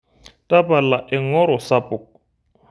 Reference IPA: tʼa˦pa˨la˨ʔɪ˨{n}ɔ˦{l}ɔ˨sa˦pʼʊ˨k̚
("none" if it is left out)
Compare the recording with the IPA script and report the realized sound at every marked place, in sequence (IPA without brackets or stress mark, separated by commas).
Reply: ŋ, ɾ